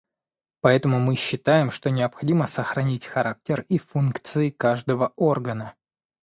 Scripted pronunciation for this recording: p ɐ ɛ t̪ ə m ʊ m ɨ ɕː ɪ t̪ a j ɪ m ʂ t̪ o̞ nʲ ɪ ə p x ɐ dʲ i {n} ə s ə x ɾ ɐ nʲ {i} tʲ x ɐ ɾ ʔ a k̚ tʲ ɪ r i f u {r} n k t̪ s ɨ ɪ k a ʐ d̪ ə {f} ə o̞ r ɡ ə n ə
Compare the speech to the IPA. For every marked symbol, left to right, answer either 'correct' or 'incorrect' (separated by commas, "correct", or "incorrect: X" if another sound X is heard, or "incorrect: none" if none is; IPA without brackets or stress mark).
incorrect: m, correct, incorrect: none, incorrect: v